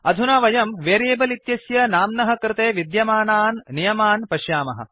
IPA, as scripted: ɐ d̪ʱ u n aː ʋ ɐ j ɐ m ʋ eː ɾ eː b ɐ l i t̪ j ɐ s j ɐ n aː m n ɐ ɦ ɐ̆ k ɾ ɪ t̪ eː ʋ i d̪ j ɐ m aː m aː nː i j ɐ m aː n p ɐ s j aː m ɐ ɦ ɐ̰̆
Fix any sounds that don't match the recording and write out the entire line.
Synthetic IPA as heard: ɐ d̪ʱ u n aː ʋ ɐ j ɐ m ʋ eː ɾ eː b ɐ l i t̪ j ɐ s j ɐ n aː m n ɐ ɦ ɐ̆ k ɾ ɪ t̪ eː ʋ i d̪ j ɐ m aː n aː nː i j ɐ m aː n p ɐ ʃ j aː m ɐ ɦ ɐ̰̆